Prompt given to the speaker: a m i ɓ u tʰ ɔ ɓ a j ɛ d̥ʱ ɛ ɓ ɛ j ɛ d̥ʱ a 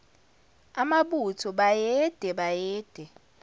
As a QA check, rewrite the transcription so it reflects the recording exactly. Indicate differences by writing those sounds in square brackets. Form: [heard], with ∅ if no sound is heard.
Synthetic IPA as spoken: a m [a] ɓ u tʰ ɔ ɓ a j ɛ d̥ʱ ɛ ɓ [a] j [ɛː] d̥ʱ [ɛ]